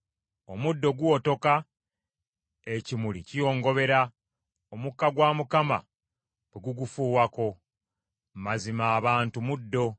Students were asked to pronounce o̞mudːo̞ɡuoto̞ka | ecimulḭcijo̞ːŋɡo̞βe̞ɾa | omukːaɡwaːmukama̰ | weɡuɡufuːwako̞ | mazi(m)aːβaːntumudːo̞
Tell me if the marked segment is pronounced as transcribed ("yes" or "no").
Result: yes